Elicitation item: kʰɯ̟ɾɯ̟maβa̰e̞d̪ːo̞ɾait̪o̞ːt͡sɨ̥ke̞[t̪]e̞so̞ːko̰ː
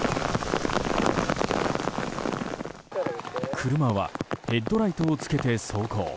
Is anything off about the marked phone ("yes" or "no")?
no